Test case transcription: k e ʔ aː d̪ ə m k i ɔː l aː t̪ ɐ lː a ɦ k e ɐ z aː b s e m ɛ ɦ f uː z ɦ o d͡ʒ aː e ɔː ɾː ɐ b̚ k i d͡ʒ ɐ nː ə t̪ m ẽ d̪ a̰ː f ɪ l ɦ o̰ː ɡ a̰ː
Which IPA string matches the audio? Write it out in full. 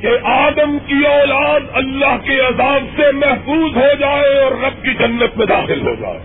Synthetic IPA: k e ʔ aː d̪ ə m k i ɔː l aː d̪ ɐ lː a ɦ k e ɐ z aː b s e m ɛ ɦ f uː z ɦ o d͡ʒ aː e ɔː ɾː ɐ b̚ k i d͡ʒ ɐ nː ə t̪ m ẽ d̪ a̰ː x ɪ l ɦ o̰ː ɡ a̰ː